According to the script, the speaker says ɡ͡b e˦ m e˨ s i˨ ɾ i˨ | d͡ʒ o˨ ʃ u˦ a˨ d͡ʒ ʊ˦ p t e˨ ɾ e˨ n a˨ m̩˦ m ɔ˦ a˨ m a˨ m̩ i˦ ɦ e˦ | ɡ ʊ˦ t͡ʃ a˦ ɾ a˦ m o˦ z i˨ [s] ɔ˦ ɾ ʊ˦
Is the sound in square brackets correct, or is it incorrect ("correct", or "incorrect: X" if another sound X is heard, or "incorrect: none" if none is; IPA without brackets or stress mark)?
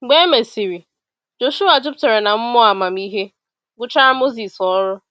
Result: correct